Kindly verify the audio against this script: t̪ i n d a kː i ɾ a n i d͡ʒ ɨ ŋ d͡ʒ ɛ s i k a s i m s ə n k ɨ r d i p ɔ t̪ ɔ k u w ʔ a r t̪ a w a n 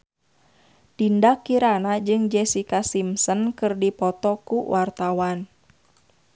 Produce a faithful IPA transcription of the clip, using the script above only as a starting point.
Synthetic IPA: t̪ i n d a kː i ɾ a n a d͡ʒ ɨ ŋ d͡ʒ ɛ s i k a s i m s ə n k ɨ r d i p ɔ t̪ ɔ k u w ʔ a r t̪ a w a n